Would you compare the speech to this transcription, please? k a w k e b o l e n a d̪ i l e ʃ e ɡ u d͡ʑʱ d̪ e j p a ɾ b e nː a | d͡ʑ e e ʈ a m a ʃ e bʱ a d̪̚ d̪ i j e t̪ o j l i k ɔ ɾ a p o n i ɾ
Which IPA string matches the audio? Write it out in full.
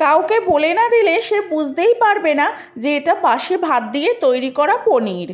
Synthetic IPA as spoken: k a w k e b o l e n a d̪ i l e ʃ e b u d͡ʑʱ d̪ e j p a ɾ b e n a | d͡ʑ e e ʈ a b a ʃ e bʱ a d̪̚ d̪ i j e t̪ o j ɾ i k ɔ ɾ a p o n i ɾ